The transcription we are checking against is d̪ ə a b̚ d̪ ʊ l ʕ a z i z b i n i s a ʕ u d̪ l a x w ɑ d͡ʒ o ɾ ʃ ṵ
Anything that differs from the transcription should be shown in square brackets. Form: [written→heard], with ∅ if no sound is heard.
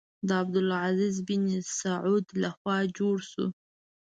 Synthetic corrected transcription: d̪ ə a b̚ d̪ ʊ l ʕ a z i z b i n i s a ʕ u d̪ l a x w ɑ d͡ʒ o [ɾ→ɽ] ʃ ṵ